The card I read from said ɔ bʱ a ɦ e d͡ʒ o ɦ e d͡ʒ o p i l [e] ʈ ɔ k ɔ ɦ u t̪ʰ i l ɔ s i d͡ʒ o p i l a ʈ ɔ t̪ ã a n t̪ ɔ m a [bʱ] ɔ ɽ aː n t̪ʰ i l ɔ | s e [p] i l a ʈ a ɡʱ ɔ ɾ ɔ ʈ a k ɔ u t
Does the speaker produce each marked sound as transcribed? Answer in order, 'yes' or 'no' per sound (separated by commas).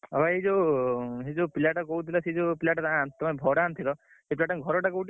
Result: no, yes, yes